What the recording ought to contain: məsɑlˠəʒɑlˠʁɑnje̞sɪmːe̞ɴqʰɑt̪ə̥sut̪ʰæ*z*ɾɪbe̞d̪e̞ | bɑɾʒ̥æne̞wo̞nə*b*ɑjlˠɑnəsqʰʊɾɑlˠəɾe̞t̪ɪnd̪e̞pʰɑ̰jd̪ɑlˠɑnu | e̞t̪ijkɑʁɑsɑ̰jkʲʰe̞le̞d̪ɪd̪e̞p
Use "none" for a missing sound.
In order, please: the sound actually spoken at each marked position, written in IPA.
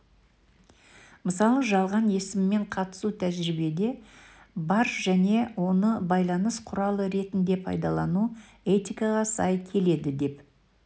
ʒ, b

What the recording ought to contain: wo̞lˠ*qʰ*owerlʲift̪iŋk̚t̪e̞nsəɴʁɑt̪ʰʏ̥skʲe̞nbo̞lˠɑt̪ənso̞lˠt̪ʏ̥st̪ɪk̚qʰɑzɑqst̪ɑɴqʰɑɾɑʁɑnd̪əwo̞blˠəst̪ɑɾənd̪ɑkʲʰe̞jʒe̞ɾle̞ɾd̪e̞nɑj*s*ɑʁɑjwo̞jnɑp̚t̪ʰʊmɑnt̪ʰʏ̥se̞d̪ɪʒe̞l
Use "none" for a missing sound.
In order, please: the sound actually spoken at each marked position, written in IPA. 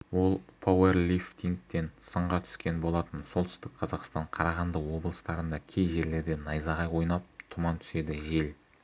pʰ, z

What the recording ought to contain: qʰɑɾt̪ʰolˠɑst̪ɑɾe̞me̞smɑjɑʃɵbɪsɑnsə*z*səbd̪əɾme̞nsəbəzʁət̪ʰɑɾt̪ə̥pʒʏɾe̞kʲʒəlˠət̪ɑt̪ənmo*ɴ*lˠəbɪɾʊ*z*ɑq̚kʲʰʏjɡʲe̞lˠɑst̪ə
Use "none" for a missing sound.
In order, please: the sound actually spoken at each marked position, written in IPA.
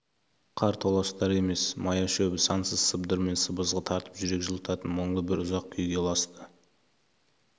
z, ɴ, z

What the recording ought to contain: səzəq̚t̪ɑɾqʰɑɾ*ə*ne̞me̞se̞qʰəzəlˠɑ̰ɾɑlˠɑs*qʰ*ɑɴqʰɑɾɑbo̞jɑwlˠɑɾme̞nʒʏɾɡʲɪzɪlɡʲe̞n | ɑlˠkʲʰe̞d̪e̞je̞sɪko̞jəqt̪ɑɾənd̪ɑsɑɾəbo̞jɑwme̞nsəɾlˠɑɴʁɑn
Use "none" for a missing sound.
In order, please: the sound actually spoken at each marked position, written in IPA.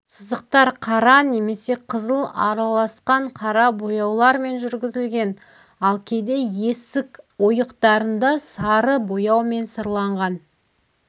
ɑ, q

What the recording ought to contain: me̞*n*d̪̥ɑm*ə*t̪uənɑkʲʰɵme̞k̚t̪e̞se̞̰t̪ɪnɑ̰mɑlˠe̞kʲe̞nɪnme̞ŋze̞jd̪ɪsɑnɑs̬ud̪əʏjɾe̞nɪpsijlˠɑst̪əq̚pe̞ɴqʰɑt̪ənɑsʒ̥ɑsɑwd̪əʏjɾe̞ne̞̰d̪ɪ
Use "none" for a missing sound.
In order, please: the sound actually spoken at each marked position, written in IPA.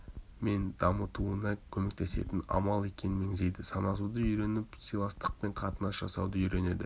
n, ə

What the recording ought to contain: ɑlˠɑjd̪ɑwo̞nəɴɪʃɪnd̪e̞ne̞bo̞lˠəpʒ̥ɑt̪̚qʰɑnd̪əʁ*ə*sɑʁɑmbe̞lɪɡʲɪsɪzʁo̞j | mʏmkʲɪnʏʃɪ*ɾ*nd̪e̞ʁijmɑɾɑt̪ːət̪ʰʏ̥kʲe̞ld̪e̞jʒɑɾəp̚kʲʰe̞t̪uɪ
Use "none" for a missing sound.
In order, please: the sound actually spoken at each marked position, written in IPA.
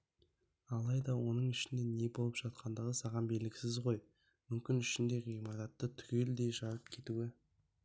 ə, none

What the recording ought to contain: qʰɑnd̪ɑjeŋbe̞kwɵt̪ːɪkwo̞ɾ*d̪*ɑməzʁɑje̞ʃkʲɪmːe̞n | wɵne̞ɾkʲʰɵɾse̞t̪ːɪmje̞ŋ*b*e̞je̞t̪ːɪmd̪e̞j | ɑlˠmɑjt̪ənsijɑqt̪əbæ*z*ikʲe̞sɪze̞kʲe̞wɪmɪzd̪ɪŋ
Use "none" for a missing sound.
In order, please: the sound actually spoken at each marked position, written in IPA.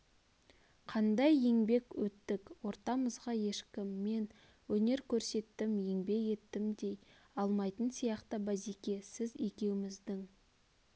t̪, b, z

